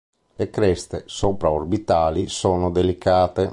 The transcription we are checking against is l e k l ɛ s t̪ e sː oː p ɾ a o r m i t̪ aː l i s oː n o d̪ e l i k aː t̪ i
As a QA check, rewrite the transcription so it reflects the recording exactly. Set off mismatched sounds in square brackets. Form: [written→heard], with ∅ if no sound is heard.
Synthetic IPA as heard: l e k [l→ɾ] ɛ s t̪ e [sː→s] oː p ɾ a o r [m→b] i t̪ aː l i s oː n o d̪ e l i k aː t̪ [i→e]